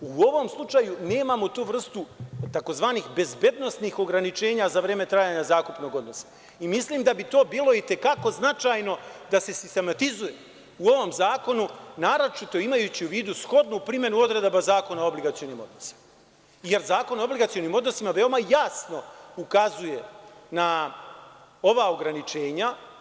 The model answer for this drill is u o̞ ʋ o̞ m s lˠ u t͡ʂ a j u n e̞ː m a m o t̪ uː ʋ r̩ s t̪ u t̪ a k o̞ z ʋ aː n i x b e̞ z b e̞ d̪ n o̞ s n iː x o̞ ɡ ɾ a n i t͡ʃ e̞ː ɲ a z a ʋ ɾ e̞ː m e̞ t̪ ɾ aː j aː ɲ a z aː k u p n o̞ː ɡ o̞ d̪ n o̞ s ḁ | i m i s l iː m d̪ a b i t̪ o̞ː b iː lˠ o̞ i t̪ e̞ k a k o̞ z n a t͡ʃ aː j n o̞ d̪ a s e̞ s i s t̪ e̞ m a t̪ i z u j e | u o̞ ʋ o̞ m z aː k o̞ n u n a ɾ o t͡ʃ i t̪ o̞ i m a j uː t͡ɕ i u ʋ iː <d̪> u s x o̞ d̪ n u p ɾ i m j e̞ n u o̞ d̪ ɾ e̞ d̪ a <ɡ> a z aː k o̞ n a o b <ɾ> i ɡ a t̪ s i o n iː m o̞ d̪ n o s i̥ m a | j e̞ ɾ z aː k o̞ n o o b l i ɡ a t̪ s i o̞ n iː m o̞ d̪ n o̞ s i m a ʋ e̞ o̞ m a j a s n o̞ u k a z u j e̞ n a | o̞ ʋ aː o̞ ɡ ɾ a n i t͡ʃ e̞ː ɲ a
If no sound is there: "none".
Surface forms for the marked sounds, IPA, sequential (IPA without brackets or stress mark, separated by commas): d̪, b, l